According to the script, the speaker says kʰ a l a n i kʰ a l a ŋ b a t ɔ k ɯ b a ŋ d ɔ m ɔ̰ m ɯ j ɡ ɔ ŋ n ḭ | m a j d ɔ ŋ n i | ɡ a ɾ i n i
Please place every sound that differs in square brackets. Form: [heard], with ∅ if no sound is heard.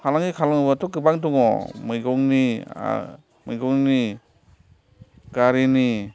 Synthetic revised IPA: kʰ a l a [ŋ] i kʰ a l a ŋ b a t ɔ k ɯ b a ŋ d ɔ [ŋ] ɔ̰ m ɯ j ɡ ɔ ŋ n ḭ | m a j [ɡ] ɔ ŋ n i | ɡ a ɾ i n i